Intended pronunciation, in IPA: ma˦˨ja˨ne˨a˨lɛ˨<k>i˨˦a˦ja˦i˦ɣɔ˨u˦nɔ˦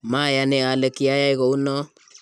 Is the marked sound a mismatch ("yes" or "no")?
no